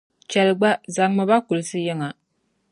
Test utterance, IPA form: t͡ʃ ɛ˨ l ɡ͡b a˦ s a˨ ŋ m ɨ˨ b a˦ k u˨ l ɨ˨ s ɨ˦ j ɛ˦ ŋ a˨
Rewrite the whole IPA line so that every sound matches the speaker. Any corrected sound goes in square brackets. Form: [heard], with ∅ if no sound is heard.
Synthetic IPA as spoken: t͡ʃ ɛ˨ l ɡ͡b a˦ [z] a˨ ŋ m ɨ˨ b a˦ k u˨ l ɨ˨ s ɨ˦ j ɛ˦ ŋ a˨